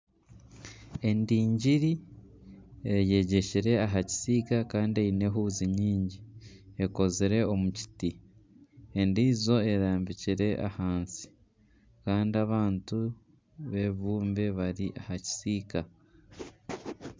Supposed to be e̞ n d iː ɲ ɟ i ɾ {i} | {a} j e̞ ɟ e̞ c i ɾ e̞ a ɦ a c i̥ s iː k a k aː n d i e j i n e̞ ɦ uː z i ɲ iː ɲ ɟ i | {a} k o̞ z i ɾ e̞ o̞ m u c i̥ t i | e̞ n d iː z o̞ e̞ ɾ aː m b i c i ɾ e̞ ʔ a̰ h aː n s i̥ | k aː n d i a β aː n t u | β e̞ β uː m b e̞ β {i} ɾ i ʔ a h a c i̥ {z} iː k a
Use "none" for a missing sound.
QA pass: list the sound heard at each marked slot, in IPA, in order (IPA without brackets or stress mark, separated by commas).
i, e, e, a, s